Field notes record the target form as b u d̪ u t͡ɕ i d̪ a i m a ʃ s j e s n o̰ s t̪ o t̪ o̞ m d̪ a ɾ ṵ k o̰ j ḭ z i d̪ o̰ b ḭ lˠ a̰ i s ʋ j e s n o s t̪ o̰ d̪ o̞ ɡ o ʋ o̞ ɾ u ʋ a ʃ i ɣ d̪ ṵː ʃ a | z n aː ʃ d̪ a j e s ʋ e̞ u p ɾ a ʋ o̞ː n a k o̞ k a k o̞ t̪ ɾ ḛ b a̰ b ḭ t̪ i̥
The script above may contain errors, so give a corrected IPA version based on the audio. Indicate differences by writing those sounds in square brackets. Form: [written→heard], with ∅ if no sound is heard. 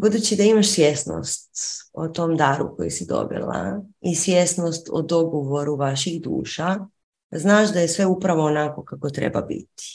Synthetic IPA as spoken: b u d̪ u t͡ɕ i d̪ a i m a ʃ s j e s n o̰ s t̪ o t̪ o̞ m d̪ a ɾ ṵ k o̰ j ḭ [z→s] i d̪ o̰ b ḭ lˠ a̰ i s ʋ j e s n o s t̪ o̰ d̪ o̞ ɡ o ʋ o̞ ɾ u ʋ a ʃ i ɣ d̪ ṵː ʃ a | z n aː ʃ d̪ a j e s ʋ e̞ u p ɾ a ʋ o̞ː n a k o̞ k a k o̞ t̪ ɾ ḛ b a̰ b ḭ t̪ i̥